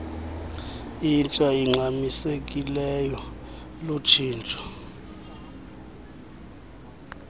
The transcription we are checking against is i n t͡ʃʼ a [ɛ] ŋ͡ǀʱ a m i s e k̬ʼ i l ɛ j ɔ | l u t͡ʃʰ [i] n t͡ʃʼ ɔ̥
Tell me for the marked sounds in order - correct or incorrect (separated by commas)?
incorrect, incorrect